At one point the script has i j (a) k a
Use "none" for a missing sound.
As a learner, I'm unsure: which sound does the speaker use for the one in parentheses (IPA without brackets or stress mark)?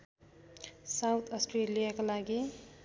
a